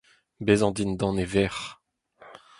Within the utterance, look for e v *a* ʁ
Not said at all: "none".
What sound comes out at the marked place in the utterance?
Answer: ɛ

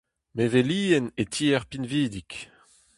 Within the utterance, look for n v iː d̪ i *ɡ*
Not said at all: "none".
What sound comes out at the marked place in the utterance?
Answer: k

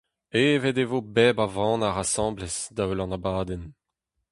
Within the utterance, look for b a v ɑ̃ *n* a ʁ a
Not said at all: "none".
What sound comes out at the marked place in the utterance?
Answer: n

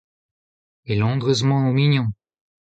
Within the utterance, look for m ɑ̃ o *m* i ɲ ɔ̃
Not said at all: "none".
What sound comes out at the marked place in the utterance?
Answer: m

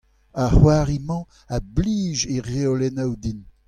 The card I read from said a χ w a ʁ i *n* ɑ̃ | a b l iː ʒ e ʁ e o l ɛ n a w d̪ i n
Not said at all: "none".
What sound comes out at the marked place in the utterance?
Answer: m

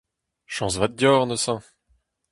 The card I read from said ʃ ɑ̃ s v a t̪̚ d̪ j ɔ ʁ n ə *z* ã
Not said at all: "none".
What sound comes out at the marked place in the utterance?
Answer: s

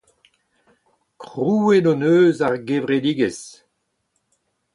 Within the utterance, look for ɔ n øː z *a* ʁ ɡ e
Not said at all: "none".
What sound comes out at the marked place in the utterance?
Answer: a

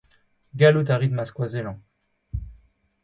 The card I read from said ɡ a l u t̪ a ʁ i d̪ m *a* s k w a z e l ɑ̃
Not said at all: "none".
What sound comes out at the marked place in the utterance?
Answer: a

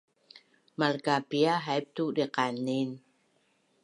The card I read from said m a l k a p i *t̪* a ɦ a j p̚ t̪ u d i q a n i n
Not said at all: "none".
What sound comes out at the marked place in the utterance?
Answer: none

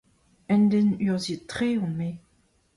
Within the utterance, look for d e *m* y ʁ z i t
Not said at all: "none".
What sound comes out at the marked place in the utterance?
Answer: n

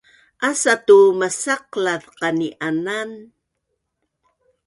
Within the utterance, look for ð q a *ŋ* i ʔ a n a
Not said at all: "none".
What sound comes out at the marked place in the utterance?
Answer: n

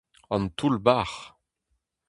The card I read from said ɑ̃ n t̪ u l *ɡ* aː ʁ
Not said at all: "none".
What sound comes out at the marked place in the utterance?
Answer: b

